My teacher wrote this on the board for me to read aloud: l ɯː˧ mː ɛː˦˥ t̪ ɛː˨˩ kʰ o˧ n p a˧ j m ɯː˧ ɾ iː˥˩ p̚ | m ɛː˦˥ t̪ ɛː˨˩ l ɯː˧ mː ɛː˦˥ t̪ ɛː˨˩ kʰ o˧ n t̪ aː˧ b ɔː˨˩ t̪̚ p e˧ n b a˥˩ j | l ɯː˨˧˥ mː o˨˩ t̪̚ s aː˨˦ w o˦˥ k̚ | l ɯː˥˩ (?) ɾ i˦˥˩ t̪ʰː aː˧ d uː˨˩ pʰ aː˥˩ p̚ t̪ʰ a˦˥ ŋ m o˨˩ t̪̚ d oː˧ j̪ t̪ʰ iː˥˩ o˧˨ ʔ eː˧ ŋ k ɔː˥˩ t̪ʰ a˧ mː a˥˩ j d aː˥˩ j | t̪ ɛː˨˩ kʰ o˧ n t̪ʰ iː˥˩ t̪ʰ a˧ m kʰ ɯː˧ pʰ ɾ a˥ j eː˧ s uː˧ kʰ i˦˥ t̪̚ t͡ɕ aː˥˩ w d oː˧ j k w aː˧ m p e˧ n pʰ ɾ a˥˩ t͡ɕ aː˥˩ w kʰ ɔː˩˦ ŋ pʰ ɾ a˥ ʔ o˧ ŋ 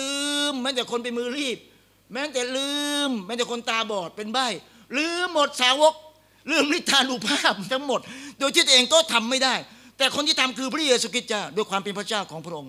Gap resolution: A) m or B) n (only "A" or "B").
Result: A